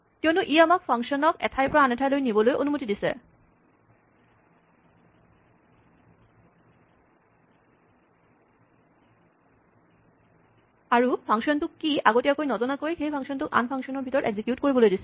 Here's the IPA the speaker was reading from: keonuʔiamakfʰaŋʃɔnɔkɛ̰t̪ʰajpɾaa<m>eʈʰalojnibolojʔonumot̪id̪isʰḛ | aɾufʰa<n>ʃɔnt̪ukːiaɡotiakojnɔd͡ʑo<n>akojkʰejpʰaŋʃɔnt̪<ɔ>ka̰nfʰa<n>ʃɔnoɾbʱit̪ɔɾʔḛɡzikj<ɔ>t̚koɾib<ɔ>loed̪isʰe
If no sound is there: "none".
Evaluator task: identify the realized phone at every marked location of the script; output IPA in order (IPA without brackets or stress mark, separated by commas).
n, ŋ, n, u, ŋ, u, o